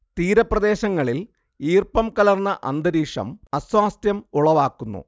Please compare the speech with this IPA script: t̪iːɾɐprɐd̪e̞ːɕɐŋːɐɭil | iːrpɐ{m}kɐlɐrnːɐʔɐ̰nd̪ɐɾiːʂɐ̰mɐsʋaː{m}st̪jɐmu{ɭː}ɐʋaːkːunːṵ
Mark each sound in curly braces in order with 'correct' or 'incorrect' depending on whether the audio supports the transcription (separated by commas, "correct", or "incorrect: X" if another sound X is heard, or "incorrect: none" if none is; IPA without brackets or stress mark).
correct, incorrect: none, incorrect: ɭ